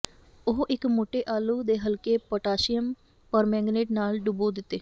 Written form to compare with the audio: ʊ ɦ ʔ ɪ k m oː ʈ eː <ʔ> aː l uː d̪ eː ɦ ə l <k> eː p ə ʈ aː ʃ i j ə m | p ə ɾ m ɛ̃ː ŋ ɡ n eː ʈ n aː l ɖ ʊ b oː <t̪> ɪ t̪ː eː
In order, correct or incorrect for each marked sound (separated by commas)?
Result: correct, correct, incorrect